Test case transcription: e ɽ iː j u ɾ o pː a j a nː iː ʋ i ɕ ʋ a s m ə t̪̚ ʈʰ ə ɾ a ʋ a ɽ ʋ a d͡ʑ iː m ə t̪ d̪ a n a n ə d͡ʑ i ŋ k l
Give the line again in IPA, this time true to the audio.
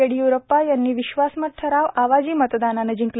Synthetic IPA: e ɽ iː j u ɾ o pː a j a nː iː ʋ i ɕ ʋ a s m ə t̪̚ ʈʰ ə ɾ a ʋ a ʋ a d͡ʑ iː m ə t̪ d̪ a n a n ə d͡ʑ i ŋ k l